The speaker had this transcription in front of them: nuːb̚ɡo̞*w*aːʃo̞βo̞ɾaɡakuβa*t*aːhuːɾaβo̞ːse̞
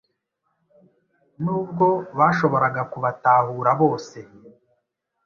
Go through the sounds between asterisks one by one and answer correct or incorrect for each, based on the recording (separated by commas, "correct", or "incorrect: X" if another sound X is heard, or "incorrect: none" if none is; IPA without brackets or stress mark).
incorrect: β, correct